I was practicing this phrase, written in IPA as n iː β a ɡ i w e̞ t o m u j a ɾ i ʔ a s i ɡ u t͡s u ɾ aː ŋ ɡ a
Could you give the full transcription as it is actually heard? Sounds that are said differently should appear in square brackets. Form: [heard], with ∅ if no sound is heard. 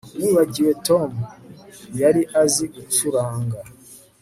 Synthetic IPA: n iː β a [ɟ] i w e̞ t o m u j a ɾ i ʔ a [z] i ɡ u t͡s u ɾ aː ŋ ɡ a